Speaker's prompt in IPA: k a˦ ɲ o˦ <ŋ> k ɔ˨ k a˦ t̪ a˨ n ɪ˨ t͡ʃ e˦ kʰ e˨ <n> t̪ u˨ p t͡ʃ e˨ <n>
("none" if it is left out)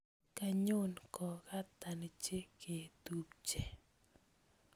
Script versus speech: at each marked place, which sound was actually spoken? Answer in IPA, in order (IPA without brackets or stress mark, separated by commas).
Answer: n, none, none